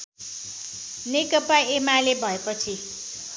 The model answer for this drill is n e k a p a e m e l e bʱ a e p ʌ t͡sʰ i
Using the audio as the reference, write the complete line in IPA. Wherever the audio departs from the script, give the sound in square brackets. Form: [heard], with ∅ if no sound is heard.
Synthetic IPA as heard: n e k [ʌ] p a e m [a] l e bʱ [ʌ] e p ʌ t͡sʰ i